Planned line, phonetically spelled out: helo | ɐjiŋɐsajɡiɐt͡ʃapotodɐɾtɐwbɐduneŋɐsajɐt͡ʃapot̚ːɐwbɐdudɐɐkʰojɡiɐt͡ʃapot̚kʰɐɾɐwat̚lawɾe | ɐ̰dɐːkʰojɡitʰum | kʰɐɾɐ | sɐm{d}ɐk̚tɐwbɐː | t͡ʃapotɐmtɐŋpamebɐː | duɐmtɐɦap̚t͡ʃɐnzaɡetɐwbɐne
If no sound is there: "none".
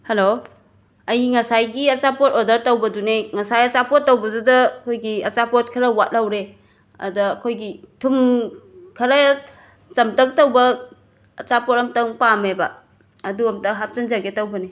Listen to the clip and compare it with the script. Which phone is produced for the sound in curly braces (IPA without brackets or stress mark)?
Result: t